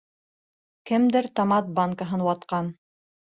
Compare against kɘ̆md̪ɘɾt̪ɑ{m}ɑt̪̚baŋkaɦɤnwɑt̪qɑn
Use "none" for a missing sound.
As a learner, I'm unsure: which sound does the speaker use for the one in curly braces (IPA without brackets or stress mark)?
m